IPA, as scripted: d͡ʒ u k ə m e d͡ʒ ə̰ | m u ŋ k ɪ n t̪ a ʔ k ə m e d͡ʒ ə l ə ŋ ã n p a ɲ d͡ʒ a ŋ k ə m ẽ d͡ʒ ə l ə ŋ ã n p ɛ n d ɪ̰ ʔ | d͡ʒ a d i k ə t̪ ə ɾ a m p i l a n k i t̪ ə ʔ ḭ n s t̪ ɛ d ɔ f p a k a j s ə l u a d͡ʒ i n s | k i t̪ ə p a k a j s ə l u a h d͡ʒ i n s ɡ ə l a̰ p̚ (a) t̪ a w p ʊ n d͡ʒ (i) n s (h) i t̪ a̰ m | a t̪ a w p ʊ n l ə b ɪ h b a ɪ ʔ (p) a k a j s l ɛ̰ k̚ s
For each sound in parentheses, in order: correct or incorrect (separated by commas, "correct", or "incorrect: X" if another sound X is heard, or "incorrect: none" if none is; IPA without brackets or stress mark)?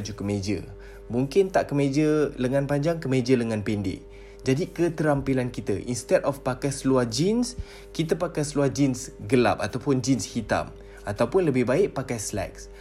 correct, correct, correct, correct